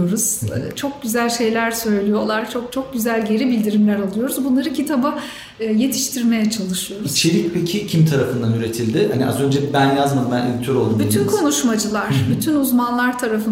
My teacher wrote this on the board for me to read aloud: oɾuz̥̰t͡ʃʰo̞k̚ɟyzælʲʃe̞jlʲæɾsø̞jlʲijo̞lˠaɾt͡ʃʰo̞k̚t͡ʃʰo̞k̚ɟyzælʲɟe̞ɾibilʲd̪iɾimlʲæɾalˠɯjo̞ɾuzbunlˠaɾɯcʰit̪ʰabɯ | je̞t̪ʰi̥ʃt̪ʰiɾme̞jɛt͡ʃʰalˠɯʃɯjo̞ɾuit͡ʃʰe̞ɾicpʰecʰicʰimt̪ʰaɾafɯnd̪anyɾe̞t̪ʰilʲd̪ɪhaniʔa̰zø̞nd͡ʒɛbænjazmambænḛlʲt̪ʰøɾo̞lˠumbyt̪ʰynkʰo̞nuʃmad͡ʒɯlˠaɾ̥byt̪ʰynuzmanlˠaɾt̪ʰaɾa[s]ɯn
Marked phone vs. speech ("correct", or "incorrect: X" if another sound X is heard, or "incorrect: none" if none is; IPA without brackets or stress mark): incorrect: f